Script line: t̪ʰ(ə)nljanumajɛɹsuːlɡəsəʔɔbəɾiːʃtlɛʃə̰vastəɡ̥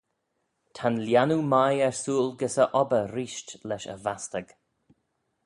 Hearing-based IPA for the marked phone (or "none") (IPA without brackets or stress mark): a